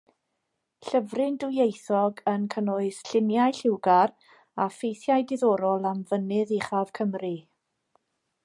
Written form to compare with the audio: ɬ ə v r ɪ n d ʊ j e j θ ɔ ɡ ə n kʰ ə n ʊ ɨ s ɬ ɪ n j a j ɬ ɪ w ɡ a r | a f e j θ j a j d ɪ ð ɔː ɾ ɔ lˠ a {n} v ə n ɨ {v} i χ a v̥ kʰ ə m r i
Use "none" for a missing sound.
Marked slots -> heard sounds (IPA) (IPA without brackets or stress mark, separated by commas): m, ð